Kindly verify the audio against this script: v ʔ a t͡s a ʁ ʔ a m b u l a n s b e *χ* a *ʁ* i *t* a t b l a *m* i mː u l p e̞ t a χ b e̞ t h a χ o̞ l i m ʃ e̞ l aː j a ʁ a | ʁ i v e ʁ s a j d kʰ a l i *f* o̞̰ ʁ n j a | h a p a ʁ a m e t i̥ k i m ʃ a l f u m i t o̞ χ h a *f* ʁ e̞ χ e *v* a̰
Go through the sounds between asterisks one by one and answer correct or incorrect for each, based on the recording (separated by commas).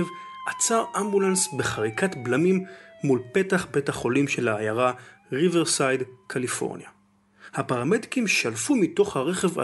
correct, correct, incorrect, correct, correct, incorrect, correct